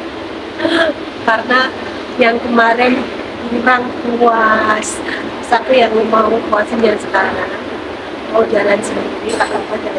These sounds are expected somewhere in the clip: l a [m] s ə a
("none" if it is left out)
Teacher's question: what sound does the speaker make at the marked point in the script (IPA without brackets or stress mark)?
n